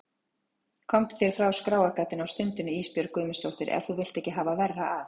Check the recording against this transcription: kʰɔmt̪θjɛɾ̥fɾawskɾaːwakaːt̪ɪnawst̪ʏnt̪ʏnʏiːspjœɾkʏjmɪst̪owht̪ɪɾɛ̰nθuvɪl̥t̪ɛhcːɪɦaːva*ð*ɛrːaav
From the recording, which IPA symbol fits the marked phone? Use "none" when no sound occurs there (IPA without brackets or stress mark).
v